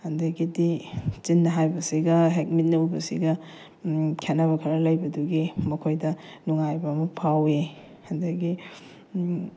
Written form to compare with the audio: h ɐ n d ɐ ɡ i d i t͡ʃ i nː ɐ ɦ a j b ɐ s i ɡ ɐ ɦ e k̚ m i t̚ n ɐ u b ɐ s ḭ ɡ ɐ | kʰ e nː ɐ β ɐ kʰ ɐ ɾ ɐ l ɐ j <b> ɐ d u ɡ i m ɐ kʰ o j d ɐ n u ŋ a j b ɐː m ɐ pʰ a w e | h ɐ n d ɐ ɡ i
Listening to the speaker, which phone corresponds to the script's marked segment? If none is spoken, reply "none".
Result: b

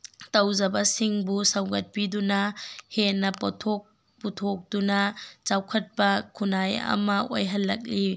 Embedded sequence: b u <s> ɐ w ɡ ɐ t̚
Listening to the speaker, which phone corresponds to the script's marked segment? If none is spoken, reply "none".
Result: s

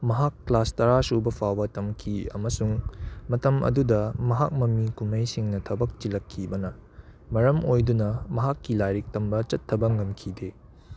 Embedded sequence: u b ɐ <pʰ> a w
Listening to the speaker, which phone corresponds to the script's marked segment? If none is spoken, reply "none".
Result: pʰ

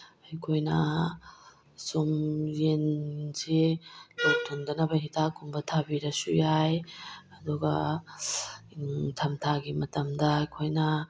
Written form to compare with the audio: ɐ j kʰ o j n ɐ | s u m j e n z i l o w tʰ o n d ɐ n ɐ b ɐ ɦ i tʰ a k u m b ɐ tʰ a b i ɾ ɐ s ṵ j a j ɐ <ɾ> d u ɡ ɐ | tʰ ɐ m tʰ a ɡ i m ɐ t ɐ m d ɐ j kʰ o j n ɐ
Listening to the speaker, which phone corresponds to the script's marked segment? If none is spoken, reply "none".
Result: none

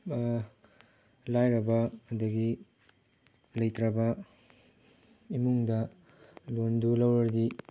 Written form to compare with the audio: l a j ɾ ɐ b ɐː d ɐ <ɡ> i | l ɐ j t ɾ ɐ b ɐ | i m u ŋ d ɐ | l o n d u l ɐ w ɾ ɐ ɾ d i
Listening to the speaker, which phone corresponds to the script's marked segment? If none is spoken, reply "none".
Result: ɡ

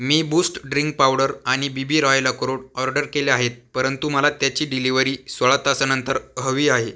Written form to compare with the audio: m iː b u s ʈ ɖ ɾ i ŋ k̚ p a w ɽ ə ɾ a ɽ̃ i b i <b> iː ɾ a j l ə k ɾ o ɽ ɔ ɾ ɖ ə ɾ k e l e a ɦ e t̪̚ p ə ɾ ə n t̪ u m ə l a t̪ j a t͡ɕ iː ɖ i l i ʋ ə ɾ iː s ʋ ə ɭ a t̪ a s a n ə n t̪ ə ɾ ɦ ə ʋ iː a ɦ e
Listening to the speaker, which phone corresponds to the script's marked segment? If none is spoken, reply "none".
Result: b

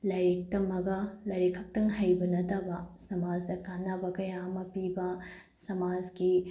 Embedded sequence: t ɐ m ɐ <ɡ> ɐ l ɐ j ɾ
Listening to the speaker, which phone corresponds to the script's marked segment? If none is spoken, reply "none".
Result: ɡ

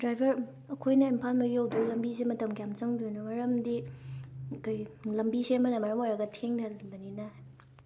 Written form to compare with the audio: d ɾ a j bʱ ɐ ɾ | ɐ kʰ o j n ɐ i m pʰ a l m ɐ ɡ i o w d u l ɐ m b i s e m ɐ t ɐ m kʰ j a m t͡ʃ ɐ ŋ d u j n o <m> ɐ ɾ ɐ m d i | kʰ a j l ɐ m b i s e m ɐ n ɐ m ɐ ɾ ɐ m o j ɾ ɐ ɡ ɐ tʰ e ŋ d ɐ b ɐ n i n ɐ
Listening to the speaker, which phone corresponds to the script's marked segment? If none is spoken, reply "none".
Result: m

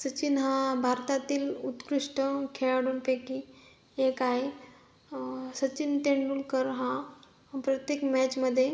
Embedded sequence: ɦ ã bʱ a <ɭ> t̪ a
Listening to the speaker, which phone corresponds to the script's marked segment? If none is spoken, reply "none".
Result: ɾ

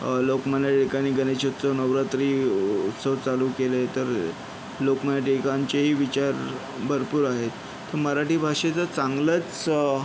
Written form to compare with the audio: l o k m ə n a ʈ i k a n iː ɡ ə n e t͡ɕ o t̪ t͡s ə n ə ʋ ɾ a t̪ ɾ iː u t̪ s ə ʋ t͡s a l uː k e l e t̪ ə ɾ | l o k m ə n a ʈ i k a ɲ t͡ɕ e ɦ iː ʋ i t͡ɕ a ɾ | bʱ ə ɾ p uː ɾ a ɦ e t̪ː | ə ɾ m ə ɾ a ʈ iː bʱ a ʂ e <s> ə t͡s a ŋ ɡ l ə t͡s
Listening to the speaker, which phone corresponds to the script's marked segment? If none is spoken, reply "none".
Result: t͡s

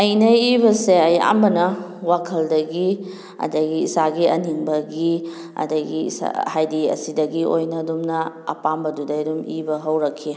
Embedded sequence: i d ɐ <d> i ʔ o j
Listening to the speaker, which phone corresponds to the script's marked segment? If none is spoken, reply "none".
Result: ɡ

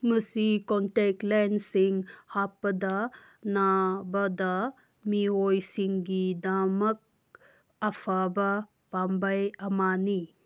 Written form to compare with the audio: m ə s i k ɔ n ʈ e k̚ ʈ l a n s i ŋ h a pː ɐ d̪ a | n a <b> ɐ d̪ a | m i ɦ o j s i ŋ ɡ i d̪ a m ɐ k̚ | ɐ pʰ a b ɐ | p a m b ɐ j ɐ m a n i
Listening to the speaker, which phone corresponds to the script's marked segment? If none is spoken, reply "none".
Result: b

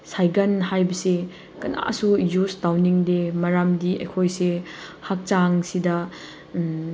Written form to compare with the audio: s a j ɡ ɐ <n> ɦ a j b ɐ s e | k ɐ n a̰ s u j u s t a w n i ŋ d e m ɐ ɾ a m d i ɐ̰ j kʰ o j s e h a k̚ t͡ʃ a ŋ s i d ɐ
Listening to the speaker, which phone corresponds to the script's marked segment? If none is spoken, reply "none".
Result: n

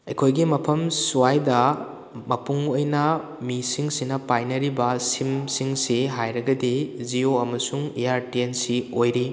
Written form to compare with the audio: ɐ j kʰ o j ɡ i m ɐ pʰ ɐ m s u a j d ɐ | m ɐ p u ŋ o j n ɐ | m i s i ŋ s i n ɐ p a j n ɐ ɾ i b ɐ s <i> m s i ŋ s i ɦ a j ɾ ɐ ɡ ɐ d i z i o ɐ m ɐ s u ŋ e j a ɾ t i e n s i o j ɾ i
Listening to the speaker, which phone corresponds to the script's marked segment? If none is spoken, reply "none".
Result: i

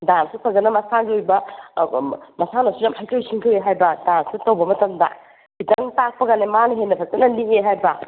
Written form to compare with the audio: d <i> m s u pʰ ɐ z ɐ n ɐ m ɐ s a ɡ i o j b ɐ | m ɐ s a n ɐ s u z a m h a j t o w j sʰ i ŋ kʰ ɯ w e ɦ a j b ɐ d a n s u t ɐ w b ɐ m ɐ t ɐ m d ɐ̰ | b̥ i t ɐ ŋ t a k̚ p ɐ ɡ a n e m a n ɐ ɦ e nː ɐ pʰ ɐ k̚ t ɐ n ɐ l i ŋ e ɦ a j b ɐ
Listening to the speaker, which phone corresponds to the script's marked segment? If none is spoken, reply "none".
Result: a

